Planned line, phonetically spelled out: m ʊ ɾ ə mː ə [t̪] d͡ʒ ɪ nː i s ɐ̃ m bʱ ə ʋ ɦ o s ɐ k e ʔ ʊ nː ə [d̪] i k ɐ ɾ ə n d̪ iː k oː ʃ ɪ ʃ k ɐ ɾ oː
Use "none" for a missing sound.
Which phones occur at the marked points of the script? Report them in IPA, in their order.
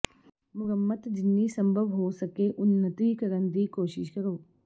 t̪, t̪

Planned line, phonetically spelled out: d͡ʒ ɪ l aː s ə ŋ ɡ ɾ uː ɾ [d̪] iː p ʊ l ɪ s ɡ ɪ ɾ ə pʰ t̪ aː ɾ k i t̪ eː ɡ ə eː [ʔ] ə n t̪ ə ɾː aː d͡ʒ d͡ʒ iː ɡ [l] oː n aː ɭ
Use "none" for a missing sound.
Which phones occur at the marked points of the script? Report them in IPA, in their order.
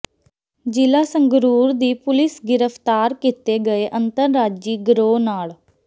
d̪, ʔ, ɾ

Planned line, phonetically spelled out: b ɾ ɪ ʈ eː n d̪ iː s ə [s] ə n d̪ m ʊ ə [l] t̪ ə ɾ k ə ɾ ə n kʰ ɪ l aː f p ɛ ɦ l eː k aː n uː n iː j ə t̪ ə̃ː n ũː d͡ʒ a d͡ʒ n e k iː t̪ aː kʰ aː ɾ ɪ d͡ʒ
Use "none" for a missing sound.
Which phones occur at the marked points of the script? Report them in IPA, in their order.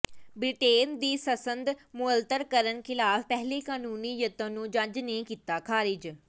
s, l

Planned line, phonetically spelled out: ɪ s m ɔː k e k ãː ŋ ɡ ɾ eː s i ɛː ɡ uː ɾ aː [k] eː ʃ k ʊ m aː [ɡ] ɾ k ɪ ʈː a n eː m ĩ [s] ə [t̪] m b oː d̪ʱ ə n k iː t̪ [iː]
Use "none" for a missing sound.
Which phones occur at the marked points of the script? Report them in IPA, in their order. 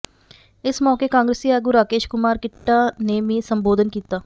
k, none, s, none, aː

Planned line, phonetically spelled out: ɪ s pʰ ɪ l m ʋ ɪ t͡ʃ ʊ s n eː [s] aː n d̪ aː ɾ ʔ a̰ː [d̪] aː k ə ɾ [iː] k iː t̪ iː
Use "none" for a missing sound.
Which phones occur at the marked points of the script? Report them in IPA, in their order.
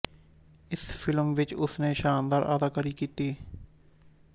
ʃ, d̪, iː

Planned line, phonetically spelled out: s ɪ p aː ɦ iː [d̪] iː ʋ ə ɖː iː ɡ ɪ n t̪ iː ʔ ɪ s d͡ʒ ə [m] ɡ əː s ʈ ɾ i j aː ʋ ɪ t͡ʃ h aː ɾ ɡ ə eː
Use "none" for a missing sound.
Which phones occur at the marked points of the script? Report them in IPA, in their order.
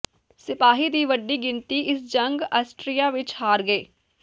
d̪, ŋ

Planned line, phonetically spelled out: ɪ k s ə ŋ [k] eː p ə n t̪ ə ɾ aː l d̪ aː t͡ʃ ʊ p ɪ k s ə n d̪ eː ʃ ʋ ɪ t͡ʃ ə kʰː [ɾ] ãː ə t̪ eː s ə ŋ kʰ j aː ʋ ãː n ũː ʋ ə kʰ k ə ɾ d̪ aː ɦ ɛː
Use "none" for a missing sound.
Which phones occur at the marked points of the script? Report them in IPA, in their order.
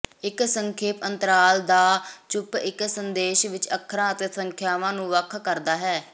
kʰ, ɾ

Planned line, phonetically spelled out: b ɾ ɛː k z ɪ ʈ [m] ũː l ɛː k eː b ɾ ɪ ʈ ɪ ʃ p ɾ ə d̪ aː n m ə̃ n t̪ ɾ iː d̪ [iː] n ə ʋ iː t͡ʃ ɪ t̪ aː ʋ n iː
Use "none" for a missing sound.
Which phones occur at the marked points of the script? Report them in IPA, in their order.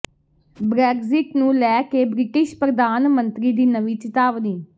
n, iː

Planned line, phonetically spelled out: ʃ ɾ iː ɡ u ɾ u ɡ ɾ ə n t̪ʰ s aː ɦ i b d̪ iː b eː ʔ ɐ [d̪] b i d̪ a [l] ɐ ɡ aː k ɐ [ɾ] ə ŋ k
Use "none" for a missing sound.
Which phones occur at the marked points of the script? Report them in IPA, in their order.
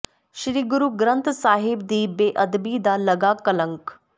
d̪, l, l

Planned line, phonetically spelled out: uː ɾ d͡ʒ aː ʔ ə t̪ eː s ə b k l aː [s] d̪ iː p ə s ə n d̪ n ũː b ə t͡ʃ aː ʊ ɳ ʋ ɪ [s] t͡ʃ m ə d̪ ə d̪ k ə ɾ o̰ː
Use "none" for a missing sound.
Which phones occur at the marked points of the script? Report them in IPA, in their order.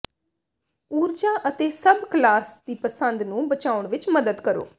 s, none

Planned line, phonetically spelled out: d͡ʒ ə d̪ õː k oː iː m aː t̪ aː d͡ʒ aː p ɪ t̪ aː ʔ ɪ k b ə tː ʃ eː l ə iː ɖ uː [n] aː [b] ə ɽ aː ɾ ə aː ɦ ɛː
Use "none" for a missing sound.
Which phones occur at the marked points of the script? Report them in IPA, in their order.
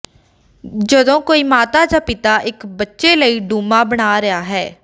m, b

